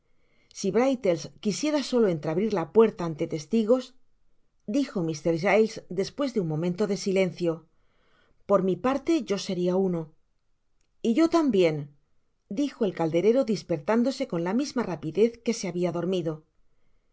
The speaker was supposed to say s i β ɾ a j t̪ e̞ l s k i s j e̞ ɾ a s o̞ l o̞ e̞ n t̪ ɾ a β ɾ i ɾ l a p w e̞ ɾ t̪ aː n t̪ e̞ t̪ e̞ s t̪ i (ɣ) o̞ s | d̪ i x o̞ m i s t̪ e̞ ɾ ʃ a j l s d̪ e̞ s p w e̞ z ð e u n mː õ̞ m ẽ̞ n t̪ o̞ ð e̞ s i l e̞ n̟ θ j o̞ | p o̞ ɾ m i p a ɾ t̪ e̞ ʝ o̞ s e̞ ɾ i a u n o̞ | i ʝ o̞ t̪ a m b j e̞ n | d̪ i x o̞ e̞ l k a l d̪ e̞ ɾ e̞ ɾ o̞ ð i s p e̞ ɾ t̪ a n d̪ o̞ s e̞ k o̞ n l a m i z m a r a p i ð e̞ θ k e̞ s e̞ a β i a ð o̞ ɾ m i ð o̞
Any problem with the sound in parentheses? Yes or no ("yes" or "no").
no